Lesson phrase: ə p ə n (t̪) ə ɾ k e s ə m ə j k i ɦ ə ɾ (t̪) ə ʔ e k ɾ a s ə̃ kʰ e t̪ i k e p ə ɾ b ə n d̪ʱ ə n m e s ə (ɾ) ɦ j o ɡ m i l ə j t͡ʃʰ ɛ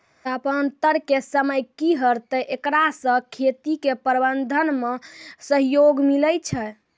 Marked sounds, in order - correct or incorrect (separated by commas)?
correct, correct, incorrect